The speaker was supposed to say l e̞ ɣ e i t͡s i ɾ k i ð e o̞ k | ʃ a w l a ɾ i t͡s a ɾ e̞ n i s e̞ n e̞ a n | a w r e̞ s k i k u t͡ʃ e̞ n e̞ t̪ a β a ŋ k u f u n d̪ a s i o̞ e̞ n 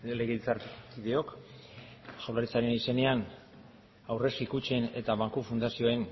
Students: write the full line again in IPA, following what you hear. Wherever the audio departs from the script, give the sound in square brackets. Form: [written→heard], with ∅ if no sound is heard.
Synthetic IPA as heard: l e̞ ɣ e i t͡s [i→a] ɾ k i ð e o̞ k | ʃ a w l a ɾ i t͡s a ɾ e̞ n i s e̞ n e̞ a n | a w r e̞ s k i k u t͡ʃ e̞ n e̞ t̪ a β a ŋ k u f u n d̪ a s i o̞ e̞ n